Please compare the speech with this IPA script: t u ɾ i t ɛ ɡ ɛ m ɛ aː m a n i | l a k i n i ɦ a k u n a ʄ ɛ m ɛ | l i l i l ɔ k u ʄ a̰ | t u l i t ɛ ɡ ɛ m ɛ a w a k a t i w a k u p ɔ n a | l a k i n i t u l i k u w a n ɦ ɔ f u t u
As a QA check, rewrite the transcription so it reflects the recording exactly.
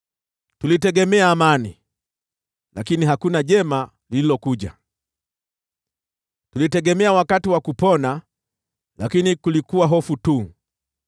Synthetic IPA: t u l i t ɛ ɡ ɛ m ɛ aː m a n i | l a k i n i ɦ a k u n a ʄ ɛ m a | l i l i l ɔ k u ʄ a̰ | t u l i t ɛ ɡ ɛ m ɛ a w a k a t i w a k u p ɔ n a | l a k i n i k u l i k u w a ɦ ɔ f u t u